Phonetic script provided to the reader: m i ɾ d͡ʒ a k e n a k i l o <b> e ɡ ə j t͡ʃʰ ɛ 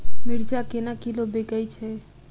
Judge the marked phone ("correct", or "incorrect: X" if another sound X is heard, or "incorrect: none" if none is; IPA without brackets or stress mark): correct